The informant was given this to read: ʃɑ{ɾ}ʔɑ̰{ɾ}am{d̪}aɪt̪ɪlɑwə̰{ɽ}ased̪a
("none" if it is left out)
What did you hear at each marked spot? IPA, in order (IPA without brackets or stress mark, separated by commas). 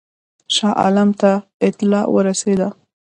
none, l, t̪, ɾ